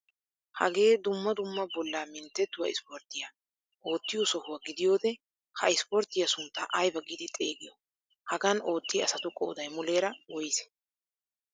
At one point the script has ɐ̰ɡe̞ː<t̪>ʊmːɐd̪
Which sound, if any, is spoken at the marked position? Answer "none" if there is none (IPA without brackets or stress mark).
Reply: d̪